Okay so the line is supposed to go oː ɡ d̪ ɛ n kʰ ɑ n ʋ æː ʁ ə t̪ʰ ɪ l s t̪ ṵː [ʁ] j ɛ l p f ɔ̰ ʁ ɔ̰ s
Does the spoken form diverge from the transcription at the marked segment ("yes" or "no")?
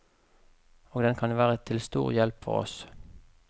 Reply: no